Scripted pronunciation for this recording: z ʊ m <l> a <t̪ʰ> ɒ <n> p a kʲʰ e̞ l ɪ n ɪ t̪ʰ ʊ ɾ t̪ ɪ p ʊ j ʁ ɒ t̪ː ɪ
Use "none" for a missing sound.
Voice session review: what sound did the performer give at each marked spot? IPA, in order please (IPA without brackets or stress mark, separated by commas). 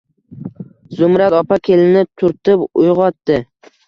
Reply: ɾ, t̪, none